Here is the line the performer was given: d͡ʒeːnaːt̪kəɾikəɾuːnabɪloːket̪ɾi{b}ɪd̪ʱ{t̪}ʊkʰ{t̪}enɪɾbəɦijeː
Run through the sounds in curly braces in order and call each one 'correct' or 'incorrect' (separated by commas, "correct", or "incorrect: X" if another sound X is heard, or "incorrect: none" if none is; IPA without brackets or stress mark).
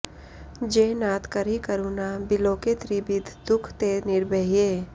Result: correct, incorrect: d̪, correct